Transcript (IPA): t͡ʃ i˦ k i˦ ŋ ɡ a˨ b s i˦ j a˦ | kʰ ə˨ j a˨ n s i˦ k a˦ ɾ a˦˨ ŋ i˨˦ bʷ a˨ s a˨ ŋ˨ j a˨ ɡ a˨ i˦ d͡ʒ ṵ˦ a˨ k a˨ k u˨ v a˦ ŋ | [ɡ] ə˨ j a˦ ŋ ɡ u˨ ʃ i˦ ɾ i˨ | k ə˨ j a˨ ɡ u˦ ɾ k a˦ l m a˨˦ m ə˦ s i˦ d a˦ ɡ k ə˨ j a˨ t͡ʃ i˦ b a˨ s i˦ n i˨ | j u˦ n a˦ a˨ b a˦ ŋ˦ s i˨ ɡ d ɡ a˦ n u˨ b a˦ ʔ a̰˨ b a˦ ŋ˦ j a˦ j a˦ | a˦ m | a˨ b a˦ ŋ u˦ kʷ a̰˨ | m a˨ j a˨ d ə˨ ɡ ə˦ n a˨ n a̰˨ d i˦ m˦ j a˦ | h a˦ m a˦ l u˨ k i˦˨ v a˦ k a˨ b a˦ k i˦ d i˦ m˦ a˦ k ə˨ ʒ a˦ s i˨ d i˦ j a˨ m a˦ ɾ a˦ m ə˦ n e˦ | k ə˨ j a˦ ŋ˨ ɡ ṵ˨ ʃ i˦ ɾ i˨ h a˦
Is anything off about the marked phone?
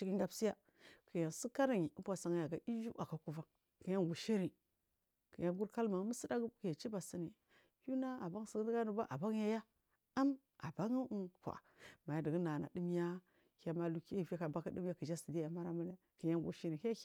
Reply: yes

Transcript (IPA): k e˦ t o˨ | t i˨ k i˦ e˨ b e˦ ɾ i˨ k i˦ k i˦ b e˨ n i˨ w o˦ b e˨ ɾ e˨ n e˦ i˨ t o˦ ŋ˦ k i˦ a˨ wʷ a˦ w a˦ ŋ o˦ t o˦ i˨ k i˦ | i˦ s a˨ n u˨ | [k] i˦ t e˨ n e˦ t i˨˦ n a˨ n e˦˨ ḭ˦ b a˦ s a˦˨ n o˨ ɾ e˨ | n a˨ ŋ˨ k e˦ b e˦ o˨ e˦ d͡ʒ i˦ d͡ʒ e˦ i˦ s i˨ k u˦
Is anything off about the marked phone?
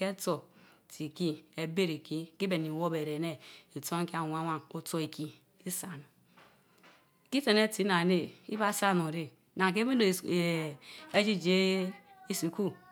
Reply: no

